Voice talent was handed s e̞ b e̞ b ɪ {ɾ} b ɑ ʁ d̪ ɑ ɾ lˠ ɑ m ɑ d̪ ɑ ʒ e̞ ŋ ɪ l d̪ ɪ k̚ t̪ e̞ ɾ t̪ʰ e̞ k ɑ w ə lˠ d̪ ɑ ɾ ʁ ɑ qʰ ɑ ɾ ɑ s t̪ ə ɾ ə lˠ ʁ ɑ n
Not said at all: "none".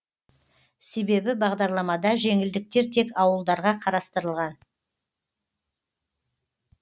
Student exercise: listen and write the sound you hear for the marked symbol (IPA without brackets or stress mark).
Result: none